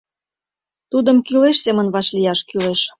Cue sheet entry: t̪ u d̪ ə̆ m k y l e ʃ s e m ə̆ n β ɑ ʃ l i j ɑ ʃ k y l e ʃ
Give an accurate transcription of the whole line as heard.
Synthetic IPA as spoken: t̪ u d̪ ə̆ m k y l e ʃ s e m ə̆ n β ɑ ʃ l i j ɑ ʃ k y l e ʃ